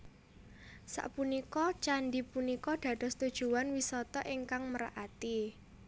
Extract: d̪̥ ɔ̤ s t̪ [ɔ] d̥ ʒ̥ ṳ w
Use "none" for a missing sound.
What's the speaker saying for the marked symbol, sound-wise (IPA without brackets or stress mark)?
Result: u